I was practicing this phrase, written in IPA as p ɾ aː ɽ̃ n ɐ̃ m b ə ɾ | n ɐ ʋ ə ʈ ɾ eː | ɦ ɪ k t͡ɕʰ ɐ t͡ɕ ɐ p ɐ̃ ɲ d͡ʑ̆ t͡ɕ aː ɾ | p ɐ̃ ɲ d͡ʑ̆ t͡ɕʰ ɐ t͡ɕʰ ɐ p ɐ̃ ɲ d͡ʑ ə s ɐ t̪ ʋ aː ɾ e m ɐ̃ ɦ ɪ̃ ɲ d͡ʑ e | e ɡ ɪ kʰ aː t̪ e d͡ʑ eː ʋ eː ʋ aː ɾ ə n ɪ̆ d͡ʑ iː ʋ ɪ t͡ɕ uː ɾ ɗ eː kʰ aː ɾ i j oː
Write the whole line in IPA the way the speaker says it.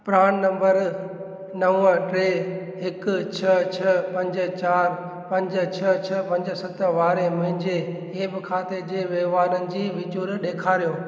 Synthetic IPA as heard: p ɾ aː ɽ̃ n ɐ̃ m b ə ɾ | n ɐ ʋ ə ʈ ɾ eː | ɦ ɪ k t͡ɕʰ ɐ t͡ɕʰ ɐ p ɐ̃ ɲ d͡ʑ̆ t͡ɕ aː ɾ | p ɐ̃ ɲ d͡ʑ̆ t͡ɕʰ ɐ t͡ɕʰ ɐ p ɐ̃ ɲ d͡ʑ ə s ɐ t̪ ʋ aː ɾ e m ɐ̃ ɦ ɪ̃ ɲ d͡ʑ e | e b ɪ kʰ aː t̪ e d͡ʑ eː ʋ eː ʋ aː ɾ ə n ɪ̆ d͡ʑ iː ʋ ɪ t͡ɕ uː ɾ ɗ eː kʰ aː ɾ i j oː